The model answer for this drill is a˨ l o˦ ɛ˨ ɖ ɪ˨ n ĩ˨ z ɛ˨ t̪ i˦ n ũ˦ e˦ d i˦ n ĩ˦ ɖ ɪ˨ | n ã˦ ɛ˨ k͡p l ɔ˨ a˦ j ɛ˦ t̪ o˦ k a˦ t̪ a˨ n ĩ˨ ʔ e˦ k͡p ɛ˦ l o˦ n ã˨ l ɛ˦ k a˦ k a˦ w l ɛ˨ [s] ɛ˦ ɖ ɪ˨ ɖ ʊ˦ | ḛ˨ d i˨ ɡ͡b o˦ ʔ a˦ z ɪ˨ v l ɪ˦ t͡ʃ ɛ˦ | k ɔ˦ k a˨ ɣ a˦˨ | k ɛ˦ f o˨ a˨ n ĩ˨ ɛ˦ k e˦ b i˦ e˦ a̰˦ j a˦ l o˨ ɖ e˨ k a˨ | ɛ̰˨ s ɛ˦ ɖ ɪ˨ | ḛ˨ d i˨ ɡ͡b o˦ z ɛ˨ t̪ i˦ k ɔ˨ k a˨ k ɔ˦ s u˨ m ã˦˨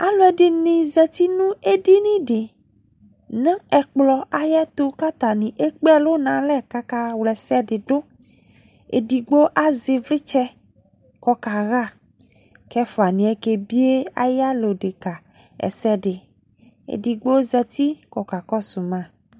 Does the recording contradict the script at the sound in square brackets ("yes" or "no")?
no